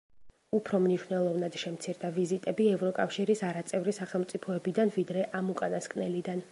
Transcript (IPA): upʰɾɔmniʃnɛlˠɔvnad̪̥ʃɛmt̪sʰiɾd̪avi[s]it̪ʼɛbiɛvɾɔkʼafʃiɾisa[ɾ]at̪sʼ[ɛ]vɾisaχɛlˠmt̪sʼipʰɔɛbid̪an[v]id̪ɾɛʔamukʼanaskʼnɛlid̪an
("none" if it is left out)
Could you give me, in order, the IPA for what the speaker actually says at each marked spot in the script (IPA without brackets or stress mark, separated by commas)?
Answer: z, ɾ, ɛ, v